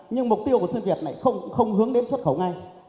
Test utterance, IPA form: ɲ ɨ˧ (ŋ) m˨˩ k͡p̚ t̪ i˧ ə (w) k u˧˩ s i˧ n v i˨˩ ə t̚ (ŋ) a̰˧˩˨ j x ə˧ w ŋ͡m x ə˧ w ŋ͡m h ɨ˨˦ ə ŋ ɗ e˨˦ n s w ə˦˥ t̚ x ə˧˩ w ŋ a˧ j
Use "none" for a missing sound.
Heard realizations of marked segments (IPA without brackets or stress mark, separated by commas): ŋ, w, n